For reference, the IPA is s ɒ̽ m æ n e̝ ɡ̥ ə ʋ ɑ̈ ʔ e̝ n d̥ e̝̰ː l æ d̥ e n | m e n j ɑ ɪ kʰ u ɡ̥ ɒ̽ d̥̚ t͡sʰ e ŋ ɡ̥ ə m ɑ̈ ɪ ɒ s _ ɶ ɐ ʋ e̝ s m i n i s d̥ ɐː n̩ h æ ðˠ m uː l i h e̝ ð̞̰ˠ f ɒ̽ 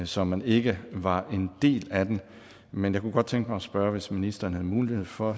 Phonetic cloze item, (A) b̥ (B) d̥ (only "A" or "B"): A